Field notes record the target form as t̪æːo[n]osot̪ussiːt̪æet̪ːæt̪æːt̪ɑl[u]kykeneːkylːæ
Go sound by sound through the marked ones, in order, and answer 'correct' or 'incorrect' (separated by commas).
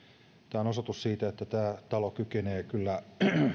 correct, incorrect